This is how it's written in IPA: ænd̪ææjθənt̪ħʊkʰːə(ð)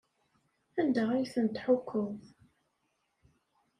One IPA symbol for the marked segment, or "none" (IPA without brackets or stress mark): ð